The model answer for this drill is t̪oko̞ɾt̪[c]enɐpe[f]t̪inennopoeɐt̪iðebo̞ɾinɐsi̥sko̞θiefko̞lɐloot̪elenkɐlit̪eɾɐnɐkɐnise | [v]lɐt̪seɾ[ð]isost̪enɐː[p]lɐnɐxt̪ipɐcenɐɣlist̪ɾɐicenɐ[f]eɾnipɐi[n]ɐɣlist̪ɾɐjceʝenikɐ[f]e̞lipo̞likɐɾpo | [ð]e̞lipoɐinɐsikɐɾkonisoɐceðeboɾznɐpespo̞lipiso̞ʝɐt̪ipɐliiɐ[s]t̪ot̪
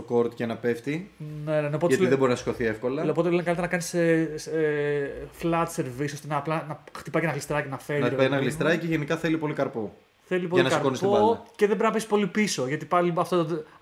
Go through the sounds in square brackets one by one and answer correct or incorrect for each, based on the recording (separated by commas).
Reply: correct, correct, incorrect, incorrect, correct, correct, correct, incorrect, incorrect, incorrect